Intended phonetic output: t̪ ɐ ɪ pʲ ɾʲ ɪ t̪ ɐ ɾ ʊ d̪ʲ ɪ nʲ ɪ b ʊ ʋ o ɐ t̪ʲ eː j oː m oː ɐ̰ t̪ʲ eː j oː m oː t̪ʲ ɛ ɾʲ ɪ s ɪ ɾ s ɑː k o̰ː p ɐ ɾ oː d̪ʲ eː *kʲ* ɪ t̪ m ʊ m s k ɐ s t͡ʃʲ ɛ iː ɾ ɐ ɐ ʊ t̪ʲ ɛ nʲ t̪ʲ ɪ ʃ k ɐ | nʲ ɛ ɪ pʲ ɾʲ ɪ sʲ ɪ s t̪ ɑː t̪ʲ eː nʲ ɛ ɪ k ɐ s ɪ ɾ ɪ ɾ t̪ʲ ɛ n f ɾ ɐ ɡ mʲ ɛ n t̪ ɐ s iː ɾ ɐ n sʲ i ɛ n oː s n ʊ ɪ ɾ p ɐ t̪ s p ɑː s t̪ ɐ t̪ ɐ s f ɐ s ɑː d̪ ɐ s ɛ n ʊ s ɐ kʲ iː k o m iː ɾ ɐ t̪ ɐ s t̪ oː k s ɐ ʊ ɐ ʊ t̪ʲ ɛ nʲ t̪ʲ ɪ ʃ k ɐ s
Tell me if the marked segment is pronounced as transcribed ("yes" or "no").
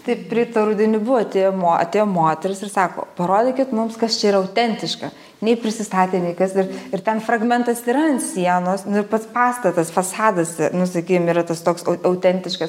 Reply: yes